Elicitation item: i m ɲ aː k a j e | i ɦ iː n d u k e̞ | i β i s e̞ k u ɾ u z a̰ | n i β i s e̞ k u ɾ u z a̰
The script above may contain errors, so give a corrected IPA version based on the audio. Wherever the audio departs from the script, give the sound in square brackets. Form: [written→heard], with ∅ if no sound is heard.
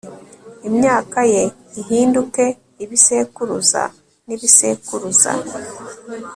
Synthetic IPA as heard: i m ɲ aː k a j e | i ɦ iː n d u k e̞ | i β i s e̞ k u ɾ u z a̰ | n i β i s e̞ k u ɾ u z a̰